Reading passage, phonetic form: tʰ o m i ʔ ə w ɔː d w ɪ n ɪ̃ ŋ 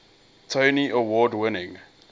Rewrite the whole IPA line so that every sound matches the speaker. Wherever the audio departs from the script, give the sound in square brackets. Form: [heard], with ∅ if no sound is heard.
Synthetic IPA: tʰ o [n] i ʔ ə w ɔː d w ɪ n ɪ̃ ŋ